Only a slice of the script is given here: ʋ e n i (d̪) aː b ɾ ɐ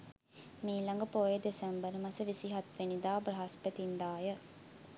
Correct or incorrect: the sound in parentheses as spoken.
correct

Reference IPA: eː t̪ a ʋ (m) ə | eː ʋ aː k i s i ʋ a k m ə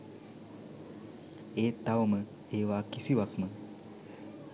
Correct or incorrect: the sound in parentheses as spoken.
correct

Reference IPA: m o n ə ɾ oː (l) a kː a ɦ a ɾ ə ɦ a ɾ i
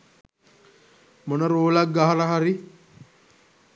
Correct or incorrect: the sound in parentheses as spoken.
correct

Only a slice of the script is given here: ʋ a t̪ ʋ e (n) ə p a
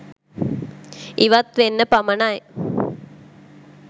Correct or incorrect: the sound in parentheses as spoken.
incorrect: nː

